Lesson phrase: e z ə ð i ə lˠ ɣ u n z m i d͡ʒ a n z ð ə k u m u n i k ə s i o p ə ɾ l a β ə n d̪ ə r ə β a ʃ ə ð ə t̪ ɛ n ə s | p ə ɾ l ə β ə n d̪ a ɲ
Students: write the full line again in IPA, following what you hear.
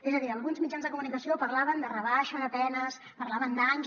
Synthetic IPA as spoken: e z ə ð i ə lˠ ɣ u n z m i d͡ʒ a n z ð ə k u m u n i k ə s i o p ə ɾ l a β ə n d̪ ə r ə β a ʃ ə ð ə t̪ ɛ n ə s | p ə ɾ l a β ə n d̪ a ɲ